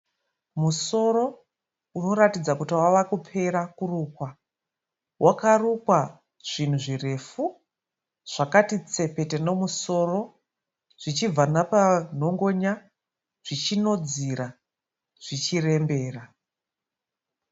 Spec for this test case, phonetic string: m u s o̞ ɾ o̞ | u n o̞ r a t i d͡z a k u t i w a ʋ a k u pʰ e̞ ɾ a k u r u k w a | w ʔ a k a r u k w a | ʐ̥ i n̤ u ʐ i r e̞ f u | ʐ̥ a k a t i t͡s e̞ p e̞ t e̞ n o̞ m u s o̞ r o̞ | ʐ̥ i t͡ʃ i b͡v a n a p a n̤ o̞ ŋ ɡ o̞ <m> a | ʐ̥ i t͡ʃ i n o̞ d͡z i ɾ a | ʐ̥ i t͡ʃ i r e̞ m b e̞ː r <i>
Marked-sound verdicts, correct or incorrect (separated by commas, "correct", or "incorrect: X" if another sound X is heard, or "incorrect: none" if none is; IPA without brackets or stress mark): incorrect: ɲ, incorrect: a